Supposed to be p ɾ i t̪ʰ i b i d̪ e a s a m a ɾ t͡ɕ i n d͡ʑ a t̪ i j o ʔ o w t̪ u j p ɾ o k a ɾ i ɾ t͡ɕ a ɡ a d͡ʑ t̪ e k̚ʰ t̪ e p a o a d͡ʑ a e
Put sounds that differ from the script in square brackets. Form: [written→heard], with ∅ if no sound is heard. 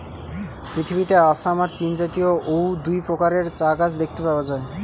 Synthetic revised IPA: p ɾ i t̪ʰ i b i [d̪→t̪] e a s a m a ɾ t͡ɕ i n d͡ʑ a t̪ i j o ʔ o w [t̪→d̪] u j p ɾ o k a ɾ [i→e] ɾ t͡ɕ a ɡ a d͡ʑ [t̪→d̪] e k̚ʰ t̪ e p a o a d͡ʑ a e